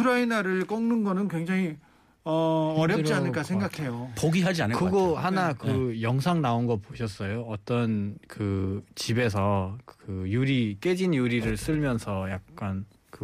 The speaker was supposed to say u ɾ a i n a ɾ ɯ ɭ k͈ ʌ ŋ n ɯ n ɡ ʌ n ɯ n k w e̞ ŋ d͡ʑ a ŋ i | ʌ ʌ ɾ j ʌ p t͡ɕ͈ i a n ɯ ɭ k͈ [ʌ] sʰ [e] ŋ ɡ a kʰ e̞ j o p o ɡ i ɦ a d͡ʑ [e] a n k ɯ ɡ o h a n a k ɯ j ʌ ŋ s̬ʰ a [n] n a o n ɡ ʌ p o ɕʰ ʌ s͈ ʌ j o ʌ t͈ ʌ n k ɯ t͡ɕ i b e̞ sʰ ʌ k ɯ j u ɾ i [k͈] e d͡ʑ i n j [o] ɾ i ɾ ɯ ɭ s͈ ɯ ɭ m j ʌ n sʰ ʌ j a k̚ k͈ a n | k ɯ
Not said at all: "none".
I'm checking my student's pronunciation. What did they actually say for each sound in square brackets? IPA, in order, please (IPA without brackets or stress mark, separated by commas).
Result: a, e, i, ŋ, k͈, u